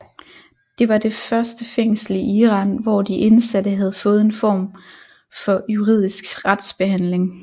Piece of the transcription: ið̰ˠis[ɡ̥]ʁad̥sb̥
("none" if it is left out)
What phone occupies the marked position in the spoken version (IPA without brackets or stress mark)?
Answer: ɡ̥